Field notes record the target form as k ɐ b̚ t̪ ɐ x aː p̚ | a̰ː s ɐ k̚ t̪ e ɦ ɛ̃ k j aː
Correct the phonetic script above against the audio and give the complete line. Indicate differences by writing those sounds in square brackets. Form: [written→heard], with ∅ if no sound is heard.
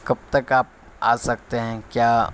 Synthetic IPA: k ɐ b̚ t̪ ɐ [x→k] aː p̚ | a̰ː s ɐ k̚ t̪ e ɦ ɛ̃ k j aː